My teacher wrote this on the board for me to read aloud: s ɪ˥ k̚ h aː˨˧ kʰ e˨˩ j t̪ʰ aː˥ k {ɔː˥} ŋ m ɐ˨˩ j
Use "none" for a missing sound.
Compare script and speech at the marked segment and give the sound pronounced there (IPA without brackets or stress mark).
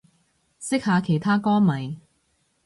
ɔː˥